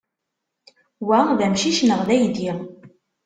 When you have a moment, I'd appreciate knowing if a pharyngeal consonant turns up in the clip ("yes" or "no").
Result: no